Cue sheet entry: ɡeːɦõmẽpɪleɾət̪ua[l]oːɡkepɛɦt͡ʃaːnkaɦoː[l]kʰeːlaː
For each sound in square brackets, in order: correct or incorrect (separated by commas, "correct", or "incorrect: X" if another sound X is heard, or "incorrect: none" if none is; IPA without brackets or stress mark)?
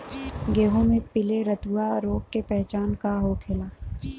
incorrect: ɾ, incorrect: none